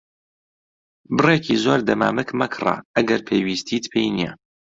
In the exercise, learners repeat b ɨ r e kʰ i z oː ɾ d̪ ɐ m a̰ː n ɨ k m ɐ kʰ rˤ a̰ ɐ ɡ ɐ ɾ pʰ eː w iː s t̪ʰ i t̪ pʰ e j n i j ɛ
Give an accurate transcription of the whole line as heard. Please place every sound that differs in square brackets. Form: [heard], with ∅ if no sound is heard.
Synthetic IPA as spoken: b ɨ r e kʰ i z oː ɾ d̪ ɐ m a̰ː [m] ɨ k m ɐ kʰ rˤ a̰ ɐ ɡ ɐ ɾ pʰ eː w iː s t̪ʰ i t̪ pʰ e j n i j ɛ